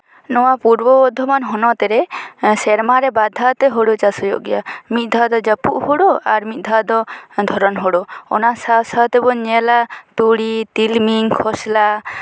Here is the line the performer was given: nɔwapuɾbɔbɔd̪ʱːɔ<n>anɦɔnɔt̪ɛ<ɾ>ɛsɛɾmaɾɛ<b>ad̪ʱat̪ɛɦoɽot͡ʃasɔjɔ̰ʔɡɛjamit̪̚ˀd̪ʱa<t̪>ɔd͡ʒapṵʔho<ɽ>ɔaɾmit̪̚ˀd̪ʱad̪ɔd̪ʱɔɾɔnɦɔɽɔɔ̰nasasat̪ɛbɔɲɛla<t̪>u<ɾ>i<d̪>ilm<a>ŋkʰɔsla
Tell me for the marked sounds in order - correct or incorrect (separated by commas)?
incorrect, correct, correct, incorrect, correct, correct, incorrect, incorrect, incorrect